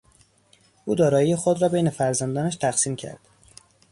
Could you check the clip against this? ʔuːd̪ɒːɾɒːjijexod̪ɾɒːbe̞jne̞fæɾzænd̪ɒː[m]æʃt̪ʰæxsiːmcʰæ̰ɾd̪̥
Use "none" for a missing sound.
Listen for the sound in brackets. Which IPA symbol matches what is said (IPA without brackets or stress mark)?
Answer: n